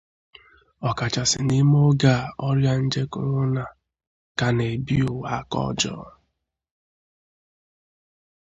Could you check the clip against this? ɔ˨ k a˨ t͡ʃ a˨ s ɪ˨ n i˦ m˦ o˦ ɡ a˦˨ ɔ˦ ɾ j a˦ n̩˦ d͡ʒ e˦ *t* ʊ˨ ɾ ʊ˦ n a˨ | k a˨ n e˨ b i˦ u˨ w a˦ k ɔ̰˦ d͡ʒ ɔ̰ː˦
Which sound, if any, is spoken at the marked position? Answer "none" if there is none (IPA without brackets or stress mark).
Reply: k